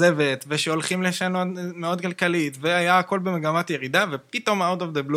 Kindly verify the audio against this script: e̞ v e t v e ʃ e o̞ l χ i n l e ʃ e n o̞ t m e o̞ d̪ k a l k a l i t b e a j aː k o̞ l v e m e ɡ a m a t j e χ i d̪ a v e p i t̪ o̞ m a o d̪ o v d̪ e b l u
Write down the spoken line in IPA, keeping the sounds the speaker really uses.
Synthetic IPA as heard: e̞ v e t v e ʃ e o̞ l χ i m l e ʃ a n o̞ t m e o̞ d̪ k a l k a l i t v e a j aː k o̞ l b e m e ɡ a m a t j e ʁ i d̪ a v e p i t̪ o̞ m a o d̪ o v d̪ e b l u